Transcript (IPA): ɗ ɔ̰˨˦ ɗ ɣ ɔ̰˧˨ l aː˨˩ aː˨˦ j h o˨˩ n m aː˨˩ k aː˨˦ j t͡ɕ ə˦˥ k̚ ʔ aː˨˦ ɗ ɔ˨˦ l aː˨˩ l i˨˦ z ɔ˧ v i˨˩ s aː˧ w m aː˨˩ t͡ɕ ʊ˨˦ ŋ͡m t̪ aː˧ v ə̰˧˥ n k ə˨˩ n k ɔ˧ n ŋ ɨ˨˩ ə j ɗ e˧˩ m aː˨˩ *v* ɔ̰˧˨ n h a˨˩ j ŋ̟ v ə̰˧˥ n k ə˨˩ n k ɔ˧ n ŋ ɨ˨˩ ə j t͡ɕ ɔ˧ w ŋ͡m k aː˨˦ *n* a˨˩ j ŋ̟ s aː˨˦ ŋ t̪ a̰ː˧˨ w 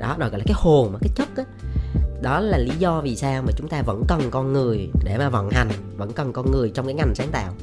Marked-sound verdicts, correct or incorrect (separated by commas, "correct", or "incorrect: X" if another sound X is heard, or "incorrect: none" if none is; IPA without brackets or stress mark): correct, incorrect: ŋ